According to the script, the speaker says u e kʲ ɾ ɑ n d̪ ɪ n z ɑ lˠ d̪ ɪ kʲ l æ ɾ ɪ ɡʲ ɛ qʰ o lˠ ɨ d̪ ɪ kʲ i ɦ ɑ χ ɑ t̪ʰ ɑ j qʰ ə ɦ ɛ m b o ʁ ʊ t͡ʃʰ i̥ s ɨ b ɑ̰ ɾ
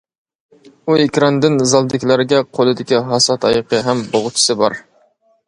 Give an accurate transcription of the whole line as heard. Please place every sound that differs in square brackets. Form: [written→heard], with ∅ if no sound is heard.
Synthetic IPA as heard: u e kʲ ɾ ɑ n d̪ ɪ n z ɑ lˠ d̪ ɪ kʲ l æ ɾ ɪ ɡʲ ɛ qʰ o lˠ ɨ d̪ ɪ kʲ i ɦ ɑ [χ→s] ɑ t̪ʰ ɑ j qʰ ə ɦ ɛ m b o ʁ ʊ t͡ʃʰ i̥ s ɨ b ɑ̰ ɾ

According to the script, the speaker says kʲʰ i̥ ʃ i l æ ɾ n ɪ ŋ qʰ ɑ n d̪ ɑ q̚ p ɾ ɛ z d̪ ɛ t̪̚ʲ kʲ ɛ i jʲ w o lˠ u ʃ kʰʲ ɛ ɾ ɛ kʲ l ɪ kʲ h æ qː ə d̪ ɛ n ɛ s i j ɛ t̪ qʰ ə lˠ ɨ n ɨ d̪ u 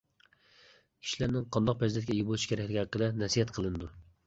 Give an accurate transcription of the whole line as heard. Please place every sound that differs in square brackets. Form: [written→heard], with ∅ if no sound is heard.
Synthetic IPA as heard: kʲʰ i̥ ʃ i l æ ɾ n ɪ ŋ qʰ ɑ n d̪ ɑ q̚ p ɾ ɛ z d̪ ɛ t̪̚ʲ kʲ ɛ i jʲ [w→b] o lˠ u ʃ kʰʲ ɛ ɾ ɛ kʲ l ɪ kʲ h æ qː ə d̪ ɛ n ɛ s i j ɛ t̪ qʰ ə lˠ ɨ n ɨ d̪ u

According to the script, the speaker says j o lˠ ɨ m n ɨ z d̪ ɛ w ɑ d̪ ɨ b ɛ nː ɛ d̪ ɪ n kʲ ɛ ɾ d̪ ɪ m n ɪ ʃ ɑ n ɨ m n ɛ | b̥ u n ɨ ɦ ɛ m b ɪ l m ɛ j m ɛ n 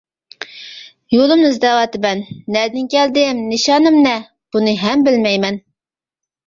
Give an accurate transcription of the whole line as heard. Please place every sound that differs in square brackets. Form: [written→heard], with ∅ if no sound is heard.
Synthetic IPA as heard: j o lˠ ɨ m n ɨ z d̪ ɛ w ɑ [d̪→t̪] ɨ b ɛ nː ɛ d̪ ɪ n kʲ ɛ [ɾ→l] d̪ ɪ m n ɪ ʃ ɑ n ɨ m n ɛ | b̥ u n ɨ ɦ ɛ m b ɪ l m ɛ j m ɛ n

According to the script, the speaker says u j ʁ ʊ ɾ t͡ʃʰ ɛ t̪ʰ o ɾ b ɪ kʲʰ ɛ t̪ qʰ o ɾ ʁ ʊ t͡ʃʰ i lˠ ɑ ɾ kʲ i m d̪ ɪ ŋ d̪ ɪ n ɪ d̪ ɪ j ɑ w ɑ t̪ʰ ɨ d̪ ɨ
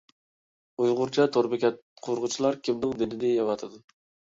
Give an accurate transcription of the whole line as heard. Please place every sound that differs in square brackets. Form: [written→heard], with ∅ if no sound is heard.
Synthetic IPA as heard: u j ʁ ʊ ɾ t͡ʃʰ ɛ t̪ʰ o ɾ b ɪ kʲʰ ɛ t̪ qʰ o ɾ ʁ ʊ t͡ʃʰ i lˠ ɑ ɾ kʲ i m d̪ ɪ ŋ d̪ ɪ n ɪ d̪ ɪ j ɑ w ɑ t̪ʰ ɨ d̪ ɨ

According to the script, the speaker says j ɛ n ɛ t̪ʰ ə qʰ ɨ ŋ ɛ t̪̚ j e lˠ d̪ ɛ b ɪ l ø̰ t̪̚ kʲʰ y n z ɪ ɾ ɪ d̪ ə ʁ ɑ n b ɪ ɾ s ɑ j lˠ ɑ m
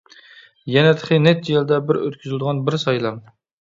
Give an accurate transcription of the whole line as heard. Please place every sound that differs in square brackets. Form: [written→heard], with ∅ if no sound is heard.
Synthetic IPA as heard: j ɛ n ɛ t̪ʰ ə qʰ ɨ [ŋ→n] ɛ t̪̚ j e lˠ d̪ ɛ b ɪ [l→ɾ] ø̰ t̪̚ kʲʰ y [n→∅] z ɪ [ɾ→l] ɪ d̪ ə ʁ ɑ n b ɪ ɾ s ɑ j lˠ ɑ m

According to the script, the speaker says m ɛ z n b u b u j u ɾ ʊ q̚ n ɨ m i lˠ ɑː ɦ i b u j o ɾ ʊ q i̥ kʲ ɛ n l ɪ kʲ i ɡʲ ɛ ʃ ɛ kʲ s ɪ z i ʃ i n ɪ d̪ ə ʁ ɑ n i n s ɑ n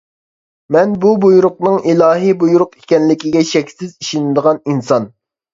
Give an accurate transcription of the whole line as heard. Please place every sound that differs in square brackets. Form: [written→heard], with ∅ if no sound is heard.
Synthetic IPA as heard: m ɛ [z→∅] n b u b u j u ɾ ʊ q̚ n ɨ [m→ŋ] i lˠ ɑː ɦ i b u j [o→u] ɾ ʊ q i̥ kʲ ɛ n l ɪ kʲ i ɡʲ ɛ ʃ ɛ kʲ s ɪ z i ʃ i n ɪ d̪ ə ʁ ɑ n i n s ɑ n

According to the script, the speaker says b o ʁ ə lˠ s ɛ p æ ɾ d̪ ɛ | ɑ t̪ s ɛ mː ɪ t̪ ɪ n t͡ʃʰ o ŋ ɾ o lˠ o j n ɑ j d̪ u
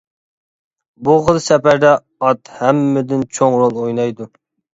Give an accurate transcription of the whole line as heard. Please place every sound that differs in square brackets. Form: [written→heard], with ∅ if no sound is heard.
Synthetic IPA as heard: b [o→u] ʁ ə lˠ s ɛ p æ ɾ d̪ ɛ | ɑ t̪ [s→h] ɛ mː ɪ [t̪→d̪] ɪ n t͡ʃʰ o ŋ ɾ o lˠ o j n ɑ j d̪ u

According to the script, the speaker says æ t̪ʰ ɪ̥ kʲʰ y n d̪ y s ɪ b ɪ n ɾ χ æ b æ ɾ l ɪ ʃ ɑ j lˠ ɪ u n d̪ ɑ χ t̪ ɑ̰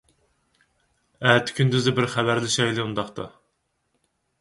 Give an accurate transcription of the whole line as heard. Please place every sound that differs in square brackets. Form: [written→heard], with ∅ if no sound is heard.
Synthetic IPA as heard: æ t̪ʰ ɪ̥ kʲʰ y n d̪ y [s→z] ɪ b ɪ [n→∅] ɾ χ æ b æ ɾ l ɪ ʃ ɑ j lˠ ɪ u n d̪ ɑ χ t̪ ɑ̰

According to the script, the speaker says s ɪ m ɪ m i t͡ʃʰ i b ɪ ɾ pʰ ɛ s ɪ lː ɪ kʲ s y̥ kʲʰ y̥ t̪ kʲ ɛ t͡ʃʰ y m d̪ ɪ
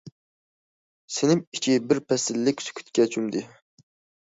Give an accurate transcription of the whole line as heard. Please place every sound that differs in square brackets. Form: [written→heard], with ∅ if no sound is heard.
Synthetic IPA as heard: s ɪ [m→n] ɪ m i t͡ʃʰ i b ɪ ɾ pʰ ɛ s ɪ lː ɪ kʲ s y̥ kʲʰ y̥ t̪ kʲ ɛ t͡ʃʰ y m d̪ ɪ

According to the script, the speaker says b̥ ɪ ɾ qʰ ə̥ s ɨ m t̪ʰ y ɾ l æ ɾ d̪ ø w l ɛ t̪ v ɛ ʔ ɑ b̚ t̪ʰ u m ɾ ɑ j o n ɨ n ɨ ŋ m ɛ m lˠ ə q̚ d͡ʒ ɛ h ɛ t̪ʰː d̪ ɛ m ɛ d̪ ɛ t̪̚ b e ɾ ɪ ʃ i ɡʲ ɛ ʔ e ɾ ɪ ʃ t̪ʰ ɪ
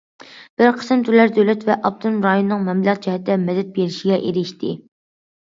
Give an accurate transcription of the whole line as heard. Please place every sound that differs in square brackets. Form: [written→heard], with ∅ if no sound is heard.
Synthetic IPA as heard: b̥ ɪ ɾ qʰ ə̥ s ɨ m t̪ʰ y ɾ l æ ɾ d̪ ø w l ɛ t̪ v ɛ ʔ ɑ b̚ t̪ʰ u m ɾ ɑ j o n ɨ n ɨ ŋ m ɛ m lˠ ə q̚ d͡ʒ ɛ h ɛ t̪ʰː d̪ ɛ m ɛ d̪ ɛ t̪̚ b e ɾ ɪ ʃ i ɡʲ ɛ ʔ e ɾ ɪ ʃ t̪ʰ ɪ

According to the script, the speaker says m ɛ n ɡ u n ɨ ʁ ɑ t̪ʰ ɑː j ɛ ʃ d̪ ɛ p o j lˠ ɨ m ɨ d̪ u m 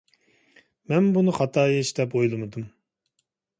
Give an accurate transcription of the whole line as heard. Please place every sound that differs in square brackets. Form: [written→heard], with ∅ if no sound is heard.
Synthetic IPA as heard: m ɛ n [ɡ→b] u n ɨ [ʁ→χ] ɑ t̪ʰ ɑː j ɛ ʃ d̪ ɛ p o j lˠ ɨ m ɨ d̪ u m

